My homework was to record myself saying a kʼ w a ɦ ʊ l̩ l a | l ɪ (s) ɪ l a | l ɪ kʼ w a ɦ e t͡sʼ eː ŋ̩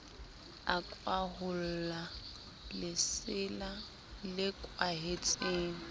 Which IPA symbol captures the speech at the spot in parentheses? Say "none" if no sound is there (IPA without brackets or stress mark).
s